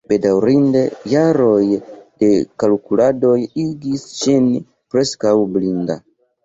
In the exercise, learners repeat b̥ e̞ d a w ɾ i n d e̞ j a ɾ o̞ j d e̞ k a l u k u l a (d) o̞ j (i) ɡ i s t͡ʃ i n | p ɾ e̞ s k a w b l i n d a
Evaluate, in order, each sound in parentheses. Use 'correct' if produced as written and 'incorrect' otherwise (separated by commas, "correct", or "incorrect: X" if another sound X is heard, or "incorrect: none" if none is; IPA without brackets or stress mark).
correct, correct